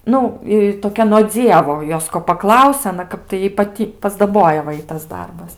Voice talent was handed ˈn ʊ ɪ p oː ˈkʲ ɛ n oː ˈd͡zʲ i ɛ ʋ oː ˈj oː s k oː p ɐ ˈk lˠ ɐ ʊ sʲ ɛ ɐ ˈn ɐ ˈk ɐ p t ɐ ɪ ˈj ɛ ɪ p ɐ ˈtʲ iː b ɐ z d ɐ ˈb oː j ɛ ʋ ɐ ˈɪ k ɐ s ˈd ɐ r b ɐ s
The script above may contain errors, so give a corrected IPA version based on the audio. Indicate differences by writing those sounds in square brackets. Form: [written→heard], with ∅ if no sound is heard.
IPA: ˈn ʊ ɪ [p→t] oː ˈkʲ ɛ n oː ˈd͡zʲ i ɛ ʋ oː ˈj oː s k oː p ɐ ˈk lˠ ɐ ʊ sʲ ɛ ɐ ˈn ɐ ˈk ɐ p t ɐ ɪ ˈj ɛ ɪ p ɐ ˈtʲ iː [b→p] ɐ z d ɐ ˈb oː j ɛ ʋ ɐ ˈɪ [k→t] ɐ s ˈd ɐ r b ɐ s